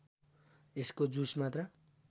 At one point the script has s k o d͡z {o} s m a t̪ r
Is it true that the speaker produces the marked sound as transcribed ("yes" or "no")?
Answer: no